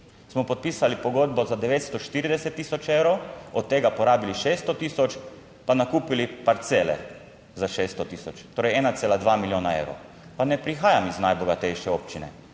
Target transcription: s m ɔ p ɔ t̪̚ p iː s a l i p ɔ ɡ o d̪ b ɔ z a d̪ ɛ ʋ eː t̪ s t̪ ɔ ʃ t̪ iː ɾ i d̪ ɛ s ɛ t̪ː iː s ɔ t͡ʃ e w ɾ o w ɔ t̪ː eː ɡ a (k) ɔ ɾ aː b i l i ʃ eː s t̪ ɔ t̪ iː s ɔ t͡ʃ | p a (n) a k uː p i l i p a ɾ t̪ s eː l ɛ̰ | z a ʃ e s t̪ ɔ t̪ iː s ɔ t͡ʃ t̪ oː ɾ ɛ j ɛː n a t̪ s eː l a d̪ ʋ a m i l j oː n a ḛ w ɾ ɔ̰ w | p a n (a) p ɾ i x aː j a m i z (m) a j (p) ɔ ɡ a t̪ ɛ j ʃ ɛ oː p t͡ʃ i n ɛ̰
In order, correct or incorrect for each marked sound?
incorrect: p, correct, incorrect: ɛ, incorrect: n, incorrect: b

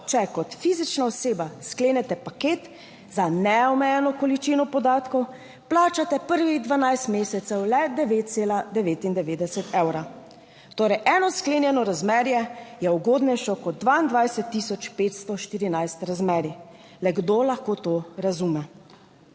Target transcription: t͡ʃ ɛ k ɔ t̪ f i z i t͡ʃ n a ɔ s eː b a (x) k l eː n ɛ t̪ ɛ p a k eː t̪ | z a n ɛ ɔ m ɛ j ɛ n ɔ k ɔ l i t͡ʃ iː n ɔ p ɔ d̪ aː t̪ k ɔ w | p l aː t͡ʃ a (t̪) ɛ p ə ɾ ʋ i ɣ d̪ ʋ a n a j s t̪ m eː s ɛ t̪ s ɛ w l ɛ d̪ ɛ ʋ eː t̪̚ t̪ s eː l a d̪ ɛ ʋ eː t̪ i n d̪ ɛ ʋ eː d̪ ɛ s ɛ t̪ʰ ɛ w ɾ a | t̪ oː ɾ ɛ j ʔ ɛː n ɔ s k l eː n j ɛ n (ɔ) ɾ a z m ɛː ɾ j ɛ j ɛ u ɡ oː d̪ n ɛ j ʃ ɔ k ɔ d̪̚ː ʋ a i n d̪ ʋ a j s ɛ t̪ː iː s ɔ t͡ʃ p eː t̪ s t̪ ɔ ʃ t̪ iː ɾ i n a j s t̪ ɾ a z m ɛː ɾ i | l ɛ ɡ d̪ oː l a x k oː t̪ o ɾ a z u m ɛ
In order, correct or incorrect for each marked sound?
incorrect: s, correct, correct

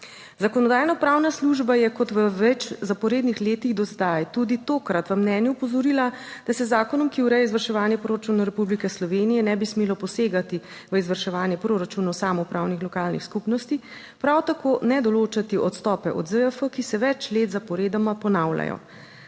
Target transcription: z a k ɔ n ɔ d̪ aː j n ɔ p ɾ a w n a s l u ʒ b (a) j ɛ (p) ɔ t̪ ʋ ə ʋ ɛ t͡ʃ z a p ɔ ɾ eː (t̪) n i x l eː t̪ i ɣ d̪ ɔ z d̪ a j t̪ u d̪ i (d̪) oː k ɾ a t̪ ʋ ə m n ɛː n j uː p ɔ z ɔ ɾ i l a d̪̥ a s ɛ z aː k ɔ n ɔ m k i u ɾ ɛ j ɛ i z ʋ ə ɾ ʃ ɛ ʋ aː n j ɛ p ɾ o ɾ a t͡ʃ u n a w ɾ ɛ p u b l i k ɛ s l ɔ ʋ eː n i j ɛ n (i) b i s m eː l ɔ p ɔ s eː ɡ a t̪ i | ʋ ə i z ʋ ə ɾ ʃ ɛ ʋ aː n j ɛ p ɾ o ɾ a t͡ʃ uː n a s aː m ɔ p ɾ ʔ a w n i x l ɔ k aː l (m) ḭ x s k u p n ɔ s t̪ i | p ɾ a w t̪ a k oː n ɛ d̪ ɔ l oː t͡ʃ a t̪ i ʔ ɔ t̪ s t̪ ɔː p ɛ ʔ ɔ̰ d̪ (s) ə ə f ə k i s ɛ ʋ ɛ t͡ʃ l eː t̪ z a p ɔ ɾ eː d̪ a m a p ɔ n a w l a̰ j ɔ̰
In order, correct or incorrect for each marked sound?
correct, incorrect: k, incorrect: d̪, incorrect: t̪, incorrect: ɛ, incorrect: n, incorrect: z

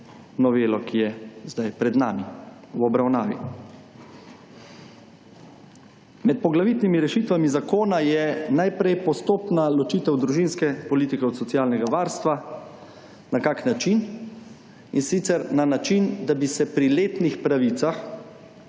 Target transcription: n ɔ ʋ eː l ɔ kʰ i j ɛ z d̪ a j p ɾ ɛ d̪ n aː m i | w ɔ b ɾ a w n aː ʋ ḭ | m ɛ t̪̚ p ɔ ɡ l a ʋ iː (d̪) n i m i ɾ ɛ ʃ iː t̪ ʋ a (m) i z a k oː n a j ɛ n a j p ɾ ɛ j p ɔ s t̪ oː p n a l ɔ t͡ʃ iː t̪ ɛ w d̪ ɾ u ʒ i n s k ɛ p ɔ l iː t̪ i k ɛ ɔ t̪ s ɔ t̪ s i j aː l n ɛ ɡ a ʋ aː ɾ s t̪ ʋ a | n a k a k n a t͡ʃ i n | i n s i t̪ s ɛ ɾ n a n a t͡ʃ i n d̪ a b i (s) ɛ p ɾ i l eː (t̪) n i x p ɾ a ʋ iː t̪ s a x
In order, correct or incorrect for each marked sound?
incorrect: t̪, correct, correct, correct

